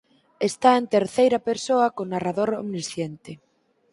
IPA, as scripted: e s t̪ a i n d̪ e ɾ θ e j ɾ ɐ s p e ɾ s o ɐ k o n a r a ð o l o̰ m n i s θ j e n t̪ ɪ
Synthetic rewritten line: e s t̪ a e n t̪ e ɾ θ e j ɾ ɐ p e ɾ s o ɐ k o n a r a ð o ɾ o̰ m n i s θ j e n t̪ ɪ

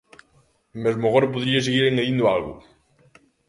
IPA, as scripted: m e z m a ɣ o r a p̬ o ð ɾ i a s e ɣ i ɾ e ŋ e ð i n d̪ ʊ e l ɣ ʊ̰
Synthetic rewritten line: m e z m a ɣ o ɾ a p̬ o ð ɾ i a s e ɣ i ɾ e ŋ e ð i n d̪ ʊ a l ɣ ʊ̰

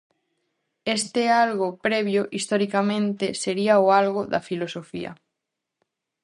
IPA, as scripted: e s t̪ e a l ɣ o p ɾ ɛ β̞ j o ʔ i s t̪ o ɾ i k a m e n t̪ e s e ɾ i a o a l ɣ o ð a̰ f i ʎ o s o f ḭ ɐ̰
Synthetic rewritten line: e s t̪ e a l ɣ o p ɾ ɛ β̞ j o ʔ i s t̪ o ɾ i k a m ẽ n t̪ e s e ɾ i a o a l ɣ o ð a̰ f i l o s o f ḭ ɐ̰

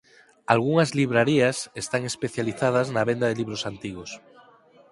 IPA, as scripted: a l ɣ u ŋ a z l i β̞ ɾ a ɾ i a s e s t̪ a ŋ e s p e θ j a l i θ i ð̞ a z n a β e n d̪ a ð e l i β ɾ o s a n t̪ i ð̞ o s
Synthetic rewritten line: a l ɣ u ŋ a z l i β̞ ɾ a ɾ i a s e s t̪ a ŋ e s p e θ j a l i θ a ð̞ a z n a β e n d̪ a ð e l i β ɾ o s a n t̪ i ɣ̞ o s

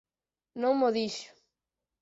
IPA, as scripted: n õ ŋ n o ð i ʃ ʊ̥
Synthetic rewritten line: n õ ŋ m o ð i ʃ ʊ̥

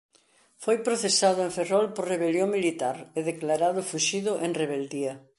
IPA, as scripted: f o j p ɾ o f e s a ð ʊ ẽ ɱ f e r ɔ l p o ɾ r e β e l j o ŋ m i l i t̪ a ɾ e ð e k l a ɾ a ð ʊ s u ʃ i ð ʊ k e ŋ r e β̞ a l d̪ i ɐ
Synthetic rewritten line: f o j p ɾ o θ e s a ð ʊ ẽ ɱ f e r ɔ l p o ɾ r e β e l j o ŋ m i l i t̪ a ɾ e ð e k l a ɾ a ð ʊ f u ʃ i ð ʊ ʔ e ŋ r e β̞ e l d̪ i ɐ

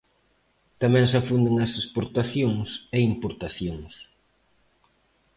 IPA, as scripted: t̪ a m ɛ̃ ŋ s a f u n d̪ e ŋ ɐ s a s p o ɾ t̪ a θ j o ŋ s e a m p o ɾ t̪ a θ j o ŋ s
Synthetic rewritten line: t̪ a m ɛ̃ ŋ s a f u n d̪ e ŋ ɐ s e s p o ɾ t̪ a θ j o ŋ s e i m p o ɾ t̪ a θ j o ŋ s

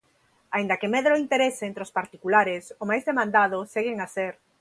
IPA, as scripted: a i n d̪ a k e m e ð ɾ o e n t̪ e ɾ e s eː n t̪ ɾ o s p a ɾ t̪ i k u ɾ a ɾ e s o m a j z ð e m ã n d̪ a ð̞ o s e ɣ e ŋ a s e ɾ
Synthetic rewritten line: a i n d̪ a k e m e ð ɾ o i n t̪ e ɾ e s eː n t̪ ɾ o s p a ɾ t̪ i k u l a ɾ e s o m a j z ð e m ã n d̪ a ð̞ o s e ɣ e ŋ a s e ɾ

